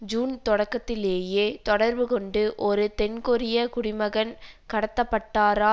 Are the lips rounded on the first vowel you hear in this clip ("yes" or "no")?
yes